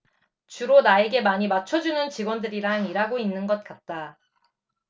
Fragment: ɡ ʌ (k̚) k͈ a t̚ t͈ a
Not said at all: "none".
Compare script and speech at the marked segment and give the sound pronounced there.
t̚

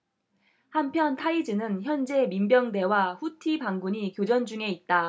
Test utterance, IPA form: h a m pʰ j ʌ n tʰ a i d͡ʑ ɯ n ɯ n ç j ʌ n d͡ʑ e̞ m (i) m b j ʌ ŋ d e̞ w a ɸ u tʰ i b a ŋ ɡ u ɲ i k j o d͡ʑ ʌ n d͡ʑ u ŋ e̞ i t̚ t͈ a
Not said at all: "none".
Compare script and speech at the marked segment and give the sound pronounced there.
i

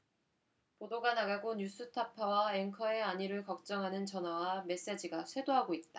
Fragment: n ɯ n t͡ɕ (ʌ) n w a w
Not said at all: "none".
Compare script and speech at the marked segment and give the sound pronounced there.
ʌ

